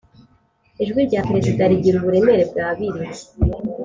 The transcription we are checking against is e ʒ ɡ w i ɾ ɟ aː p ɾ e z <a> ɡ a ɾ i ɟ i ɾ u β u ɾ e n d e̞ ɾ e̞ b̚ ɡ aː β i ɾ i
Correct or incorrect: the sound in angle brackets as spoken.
incorrect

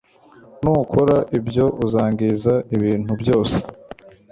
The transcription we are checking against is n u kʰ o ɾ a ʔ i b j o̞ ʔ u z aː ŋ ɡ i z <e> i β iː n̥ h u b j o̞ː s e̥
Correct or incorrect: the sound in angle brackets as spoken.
incorrect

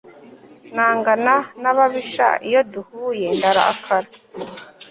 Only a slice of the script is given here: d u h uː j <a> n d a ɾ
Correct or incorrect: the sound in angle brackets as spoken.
incorrect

